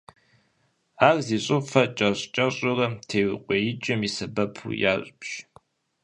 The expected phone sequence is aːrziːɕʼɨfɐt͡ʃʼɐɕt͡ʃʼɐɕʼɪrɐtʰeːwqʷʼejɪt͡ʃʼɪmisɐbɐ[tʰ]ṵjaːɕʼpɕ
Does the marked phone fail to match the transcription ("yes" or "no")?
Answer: yes